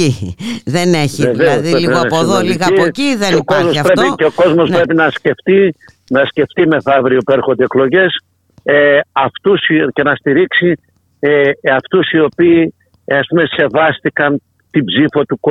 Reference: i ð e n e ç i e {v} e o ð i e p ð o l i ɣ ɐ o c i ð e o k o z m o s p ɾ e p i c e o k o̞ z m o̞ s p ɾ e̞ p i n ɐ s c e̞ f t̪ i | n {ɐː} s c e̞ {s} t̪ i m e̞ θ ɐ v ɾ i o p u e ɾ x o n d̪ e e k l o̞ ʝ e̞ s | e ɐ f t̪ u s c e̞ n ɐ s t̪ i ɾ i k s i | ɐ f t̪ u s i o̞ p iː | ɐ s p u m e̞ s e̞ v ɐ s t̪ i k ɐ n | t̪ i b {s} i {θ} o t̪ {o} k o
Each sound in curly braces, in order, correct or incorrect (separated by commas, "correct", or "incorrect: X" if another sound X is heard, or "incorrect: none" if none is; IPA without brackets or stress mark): correct, incorrect: ɐ, incorrect: f, incorrect: z, incorrect: f, incorrect: u